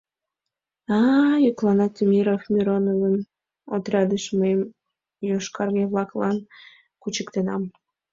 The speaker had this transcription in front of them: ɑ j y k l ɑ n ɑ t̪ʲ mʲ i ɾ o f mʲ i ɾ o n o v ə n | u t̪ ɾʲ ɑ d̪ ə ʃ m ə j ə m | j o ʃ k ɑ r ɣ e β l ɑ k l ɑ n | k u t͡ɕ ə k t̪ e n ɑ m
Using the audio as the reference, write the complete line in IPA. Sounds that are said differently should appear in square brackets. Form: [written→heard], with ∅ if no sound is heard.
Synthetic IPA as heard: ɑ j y k l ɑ n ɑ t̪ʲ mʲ i ɾ o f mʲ i ɾ o n o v ə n | [u→o] t̪ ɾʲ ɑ d̪ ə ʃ m ə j ə m | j o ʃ k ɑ r ɣ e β l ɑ k l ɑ n | k u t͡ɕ ə k t̪ e n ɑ m